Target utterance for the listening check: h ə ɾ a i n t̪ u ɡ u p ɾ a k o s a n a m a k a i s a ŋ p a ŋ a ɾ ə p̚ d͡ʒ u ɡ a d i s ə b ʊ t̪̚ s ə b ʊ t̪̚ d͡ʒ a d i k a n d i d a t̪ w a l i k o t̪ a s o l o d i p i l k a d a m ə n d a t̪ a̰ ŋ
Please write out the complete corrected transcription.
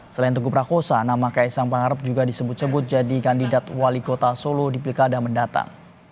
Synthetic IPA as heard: s ə l a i n t̪ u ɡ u p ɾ a k o s a n a m a k a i s a ŋ p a ŋ a ɾ ə p̚ d͡ʒ u ɡ a d i s ə b ʊ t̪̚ s ə b ʊ t̪̚ d͡ʒ a d i k a n d i d a t̪ w a l i k o t̪ a s o l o d i p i l k a d a m ə n d a t̪ a̰ ŋ